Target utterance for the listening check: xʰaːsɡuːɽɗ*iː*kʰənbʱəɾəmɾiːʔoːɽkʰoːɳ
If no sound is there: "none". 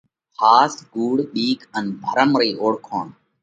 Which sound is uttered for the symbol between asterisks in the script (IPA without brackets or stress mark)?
iː